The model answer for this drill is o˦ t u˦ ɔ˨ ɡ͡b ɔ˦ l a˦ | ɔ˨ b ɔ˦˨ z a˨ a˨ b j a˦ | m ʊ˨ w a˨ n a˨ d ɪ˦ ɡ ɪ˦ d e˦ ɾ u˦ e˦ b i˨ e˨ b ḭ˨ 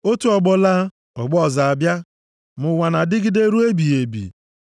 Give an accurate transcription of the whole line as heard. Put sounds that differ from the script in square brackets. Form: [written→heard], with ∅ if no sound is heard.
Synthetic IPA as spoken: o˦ t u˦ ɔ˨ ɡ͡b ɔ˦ l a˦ | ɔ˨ [b→ɡ͡b] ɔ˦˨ z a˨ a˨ b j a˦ | m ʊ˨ w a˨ n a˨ d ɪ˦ ɡ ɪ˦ d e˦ ɾ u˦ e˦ b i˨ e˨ b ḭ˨